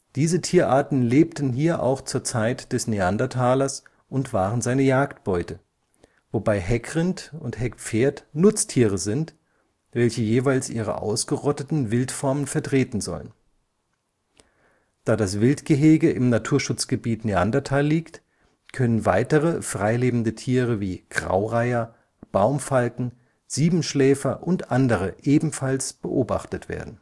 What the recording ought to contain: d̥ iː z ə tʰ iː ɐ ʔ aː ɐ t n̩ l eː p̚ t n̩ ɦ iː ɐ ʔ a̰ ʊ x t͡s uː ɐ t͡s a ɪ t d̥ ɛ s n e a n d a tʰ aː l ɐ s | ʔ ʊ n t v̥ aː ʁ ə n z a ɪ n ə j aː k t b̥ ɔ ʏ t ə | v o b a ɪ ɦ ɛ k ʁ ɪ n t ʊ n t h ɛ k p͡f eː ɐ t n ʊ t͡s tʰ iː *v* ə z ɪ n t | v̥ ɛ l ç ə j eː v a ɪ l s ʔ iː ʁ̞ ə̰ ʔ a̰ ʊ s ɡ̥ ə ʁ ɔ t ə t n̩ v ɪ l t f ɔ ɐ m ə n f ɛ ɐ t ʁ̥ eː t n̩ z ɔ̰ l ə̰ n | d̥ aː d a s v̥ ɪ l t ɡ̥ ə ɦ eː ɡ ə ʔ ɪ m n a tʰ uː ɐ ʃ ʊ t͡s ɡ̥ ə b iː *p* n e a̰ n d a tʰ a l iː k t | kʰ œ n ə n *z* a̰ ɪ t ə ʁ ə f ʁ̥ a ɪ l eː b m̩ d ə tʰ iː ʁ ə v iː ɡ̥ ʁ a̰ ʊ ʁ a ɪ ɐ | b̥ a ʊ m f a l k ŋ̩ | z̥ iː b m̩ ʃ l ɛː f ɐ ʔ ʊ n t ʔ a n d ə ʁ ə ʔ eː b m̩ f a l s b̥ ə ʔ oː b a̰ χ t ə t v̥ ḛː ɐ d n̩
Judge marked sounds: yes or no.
no, no, no

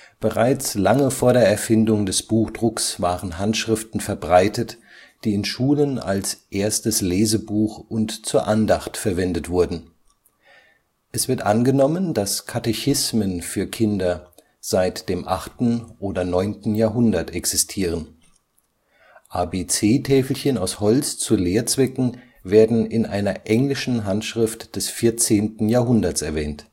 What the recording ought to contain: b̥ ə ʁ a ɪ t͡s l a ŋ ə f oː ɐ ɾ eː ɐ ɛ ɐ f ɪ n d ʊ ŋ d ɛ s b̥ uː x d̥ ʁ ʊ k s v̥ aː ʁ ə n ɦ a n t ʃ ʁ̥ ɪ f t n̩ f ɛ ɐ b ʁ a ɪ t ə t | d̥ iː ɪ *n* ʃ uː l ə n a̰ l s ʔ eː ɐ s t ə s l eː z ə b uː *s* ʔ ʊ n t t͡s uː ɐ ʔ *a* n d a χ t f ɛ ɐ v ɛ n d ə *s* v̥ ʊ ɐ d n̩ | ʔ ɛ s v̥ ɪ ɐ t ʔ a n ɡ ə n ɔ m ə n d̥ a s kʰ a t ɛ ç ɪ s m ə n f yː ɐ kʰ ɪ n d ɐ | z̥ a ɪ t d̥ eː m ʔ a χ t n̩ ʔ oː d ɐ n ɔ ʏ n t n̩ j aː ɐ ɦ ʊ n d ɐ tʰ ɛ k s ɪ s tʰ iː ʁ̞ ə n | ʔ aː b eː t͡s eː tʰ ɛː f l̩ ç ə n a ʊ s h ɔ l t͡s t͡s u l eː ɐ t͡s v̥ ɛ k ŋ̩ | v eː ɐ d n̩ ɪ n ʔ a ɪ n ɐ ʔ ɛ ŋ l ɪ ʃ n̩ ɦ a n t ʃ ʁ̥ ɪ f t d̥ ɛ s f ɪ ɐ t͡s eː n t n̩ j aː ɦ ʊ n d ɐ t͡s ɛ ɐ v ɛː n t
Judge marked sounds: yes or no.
yes, no, yes, no

